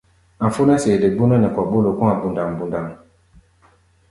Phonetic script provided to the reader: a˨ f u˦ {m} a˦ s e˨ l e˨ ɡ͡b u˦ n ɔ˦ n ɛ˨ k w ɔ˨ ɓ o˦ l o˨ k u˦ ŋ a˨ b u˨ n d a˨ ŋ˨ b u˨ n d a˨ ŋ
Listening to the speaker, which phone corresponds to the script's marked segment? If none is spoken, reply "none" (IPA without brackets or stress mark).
n